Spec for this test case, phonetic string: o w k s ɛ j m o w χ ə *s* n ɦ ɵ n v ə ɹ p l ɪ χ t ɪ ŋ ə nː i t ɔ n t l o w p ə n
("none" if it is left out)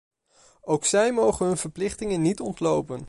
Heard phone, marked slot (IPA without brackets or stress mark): none